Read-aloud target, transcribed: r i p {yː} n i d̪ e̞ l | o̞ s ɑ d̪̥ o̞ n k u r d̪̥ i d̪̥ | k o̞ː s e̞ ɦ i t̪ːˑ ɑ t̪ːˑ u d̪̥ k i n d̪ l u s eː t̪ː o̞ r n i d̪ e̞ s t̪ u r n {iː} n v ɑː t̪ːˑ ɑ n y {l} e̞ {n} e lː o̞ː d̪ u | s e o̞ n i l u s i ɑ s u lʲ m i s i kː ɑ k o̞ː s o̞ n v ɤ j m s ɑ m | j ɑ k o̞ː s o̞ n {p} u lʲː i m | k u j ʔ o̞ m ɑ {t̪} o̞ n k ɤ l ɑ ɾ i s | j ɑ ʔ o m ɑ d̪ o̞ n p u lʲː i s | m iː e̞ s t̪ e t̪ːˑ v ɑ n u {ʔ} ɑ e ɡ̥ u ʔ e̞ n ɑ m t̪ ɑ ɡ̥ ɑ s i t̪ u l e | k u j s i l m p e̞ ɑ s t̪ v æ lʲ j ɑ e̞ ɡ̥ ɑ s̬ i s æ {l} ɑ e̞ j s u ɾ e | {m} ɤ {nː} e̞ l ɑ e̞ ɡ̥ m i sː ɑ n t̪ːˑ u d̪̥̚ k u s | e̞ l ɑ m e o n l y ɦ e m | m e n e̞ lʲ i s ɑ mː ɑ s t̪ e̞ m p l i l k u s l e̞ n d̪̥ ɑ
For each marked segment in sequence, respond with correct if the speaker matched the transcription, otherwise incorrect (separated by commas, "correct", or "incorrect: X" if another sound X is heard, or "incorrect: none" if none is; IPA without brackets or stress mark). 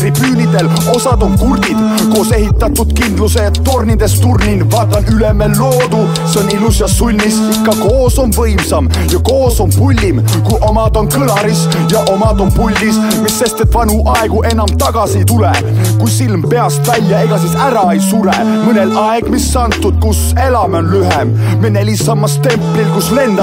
correct, incorrect: i, correct, incorrect: m, correct, incorrect: d̪, correct, incorrect: ɾ, correct, incorrect: n